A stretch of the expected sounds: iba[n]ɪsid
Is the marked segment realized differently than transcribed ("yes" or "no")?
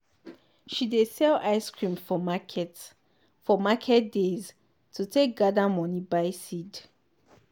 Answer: yes